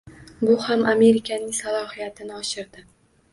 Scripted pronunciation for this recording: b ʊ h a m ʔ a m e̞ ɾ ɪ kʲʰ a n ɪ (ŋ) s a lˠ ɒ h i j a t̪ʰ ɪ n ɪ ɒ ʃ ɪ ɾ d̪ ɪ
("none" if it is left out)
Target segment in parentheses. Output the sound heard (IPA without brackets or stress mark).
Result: ŋ